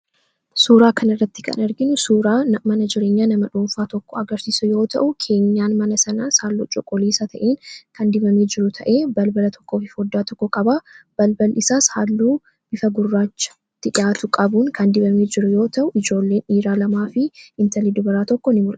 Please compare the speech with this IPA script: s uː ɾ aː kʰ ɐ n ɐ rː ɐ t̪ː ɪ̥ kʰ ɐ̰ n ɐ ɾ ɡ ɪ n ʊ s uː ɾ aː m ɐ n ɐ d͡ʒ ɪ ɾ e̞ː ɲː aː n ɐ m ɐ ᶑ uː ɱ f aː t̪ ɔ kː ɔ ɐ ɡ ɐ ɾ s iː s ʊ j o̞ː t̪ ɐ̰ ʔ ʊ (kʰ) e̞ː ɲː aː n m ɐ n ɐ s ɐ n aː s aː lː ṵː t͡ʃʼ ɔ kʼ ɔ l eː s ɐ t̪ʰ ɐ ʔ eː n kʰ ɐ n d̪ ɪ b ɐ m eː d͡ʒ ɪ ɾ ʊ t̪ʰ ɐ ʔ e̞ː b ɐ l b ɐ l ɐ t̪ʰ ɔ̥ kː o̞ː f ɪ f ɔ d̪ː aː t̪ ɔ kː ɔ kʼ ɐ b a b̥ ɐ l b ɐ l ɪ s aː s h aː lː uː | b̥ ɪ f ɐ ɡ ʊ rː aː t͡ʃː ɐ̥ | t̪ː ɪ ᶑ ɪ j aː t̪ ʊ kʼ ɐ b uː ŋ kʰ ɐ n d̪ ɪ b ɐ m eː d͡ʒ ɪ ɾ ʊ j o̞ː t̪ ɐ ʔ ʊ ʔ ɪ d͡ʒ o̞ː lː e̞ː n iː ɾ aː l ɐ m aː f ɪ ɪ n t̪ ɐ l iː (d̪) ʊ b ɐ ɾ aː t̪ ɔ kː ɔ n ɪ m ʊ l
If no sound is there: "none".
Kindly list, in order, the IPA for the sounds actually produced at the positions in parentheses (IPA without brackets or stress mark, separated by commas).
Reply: kʰ, d̪